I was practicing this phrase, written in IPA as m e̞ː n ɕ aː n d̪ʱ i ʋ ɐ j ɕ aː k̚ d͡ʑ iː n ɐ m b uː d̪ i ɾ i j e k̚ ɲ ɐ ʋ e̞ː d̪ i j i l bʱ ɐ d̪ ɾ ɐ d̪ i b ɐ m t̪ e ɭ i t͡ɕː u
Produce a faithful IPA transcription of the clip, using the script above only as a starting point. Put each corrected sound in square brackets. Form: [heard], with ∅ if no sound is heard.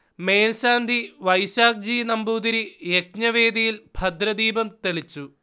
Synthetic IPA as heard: m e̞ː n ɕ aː n d̪ʱ i ʋ ɐ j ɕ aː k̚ d͡ʑ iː n ɐ m b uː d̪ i ɾ i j e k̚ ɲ ɐ ʋ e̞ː d̪ i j i l bʱ ɐ d̪ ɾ ɐ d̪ [iː] b ɐ m t̪ e ɭ i t͡ɕː u